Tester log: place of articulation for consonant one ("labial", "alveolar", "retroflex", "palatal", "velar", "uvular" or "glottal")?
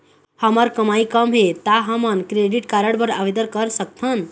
glottal